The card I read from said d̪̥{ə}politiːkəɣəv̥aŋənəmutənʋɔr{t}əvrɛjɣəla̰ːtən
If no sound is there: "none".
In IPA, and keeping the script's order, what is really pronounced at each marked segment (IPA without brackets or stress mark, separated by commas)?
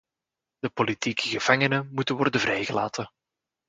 ə, d